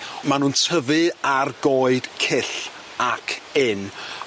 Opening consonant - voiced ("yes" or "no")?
yes